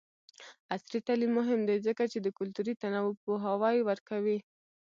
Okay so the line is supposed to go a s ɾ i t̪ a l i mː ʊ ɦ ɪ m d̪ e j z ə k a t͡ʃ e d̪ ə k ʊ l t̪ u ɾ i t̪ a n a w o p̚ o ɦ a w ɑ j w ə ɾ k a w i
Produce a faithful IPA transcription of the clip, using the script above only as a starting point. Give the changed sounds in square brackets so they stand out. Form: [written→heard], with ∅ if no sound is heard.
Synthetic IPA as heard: a s ɾ i t̪ a l i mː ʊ ɦ ɪ m d̪ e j z ə k a t͡ʃ e d̪ ə k ʊ l t̪ u ɾ i t̪ a n a w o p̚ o ɦ a w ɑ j w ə ɾ k a w i